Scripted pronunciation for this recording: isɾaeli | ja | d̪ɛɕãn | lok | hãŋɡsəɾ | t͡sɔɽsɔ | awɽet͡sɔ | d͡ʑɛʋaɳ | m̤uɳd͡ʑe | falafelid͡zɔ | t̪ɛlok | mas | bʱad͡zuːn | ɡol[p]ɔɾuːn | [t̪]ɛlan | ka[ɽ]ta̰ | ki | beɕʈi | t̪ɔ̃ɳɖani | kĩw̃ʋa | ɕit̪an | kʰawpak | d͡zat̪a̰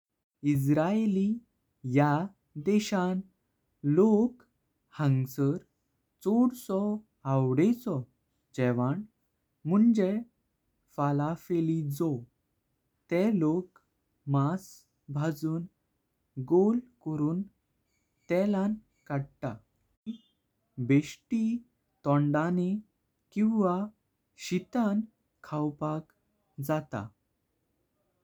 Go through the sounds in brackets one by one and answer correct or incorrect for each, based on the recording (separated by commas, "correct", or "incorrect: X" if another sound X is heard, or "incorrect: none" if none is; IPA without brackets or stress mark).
incorrect: k, correct, correct